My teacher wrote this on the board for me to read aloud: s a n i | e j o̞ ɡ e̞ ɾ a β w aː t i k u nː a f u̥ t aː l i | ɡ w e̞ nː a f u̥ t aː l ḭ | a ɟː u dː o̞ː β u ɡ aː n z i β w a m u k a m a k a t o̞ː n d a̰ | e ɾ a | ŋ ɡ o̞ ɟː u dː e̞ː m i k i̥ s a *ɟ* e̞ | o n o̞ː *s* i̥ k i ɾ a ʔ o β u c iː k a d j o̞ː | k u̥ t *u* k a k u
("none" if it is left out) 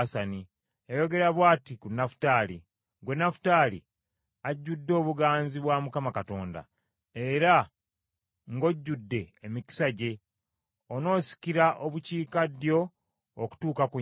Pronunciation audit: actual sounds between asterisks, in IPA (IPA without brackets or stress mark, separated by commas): ɟ, s, uː